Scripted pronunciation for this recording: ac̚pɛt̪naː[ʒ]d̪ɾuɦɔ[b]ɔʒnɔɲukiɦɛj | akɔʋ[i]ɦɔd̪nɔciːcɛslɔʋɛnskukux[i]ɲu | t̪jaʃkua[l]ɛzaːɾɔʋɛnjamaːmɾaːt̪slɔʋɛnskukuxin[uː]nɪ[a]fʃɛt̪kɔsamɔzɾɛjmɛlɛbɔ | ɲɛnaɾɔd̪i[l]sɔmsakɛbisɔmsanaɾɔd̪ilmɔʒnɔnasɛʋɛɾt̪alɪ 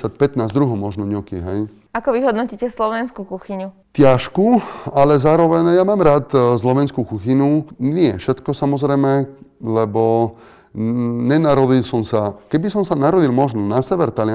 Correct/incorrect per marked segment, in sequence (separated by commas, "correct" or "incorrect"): incorrect, incorrect, correct, correct, correct, incorrect, incorrect, correct